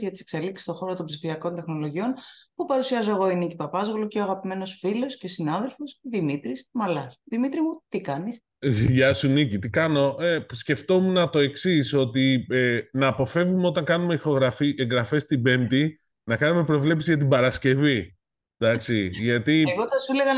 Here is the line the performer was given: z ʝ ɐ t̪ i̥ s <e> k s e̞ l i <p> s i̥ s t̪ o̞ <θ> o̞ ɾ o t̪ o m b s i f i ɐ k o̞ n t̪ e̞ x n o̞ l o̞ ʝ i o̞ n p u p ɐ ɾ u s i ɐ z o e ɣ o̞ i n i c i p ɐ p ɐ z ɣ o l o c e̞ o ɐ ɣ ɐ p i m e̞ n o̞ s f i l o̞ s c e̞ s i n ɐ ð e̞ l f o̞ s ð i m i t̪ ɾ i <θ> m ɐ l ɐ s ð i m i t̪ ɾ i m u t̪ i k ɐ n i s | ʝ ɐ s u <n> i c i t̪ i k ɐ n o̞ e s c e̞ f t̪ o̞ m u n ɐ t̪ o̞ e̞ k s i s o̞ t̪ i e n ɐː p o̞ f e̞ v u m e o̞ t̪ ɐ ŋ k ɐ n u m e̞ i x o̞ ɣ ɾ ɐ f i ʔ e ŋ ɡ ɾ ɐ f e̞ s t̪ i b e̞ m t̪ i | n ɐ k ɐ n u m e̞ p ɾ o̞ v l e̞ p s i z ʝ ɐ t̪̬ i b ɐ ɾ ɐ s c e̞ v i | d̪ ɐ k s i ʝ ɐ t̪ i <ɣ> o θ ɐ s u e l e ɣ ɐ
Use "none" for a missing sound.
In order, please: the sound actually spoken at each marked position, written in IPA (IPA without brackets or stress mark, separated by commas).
e, k, x, s, n, ɣ